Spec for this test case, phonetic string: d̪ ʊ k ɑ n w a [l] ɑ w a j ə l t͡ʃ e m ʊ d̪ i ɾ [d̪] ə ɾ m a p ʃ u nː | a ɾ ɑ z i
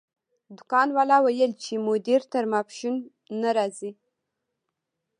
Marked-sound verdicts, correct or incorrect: correct, incorrect: t̪

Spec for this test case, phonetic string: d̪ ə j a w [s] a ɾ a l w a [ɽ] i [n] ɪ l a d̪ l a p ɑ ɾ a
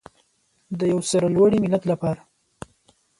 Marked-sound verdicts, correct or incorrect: correct, correct, incorrect: m

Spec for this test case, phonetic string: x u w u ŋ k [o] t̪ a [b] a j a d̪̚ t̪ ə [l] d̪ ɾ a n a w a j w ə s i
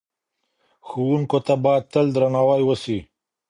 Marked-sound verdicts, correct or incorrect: correct, correct, correct

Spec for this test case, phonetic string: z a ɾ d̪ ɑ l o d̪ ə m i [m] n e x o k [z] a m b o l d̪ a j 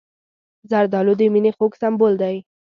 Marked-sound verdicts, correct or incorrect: incorrect: none, incorrect: s

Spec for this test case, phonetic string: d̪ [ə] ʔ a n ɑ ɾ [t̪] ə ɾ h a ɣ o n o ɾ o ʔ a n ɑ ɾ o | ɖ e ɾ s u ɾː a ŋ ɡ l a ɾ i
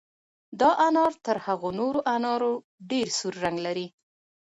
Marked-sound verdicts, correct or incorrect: incorrect: ɑ, correct

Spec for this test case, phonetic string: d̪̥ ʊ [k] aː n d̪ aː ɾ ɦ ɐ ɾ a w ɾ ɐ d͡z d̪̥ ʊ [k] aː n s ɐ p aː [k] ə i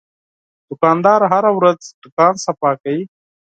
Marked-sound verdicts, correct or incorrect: correct, correct, correct

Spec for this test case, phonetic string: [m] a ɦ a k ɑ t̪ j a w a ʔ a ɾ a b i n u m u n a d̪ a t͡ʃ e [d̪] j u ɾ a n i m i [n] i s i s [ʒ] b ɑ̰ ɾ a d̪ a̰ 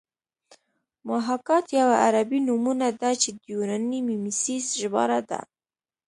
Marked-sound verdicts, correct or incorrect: correct, correct, incorrect: m, correct

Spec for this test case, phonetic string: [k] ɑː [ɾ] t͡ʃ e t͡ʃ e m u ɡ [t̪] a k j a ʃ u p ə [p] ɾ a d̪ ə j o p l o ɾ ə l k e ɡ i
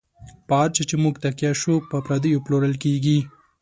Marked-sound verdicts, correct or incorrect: incorrect: p, correct, correct, correct

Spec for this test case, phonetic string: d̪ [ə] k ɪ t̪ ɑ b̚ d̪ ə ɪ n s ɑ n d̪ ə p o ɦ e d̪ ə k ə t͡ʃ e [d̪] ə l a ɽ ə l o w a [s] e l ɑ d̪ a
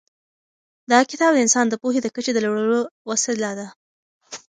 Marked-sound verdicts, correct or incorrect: incorrect: ɑ, correct, correct

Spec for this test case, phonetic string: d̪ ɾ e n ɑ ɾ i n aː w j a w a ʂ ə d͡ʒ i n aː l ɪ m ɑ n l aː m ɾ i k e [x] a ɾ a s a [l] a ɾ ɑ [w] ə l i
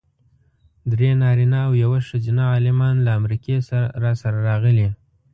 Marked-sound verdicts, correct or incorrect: incorrect: s, incorrect: ɾ, incorrect: ɣ

